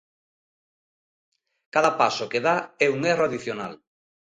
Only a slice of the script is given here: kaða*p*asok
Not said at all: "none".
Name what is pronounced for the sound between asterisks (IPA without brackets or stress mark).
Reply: p